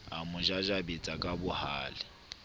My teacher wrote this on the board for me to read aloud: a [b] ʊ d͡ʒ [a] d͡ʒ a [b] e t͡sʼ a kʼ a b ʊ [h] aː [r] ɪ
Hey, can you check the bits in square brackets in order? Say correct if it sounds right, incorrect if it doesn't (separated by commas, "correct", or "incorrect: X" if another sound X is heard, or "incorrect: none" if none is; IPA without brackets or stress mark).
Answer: incorrect: m, correct, correct, correct, incorrect: l